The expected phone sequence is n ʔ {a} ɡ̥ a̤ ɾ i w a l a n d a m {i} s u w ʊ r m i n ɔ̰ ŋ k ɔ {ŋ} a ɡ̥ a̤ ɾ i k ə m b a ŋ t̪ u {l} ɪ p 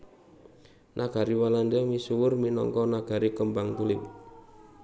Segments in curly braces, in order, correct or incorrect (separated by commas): correct, correct, incorrect, correct